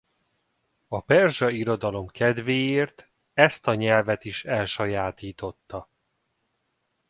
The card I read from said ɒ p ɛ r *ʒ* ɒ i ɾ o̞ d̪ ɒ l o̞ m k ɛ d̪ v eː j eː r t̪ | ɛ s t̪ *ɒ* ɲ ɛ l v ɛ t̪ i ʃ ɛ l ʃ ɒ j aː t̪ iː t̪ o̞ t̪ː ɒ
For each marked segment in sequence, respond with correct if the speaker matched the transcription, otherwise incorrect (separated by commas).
correct, correct